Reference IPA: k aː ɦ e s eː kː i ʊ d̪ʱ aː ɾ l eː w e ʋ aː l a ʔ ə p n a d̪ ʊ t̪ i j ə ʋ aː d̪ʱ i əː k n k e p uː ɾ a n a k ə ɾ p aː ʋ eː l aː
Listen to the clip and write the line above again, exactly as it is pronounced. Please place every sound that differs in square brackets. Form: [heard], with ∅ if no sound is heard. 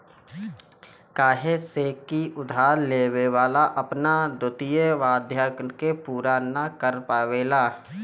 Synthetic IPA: k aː ɦ e s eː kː i ʊ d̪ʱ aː ɾ l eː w e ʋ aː l a ʔ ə p n a d̪ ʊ t̪ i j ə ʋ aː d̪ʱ [j] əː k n k e p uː ɾ a n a k ə ɾ p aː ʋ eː l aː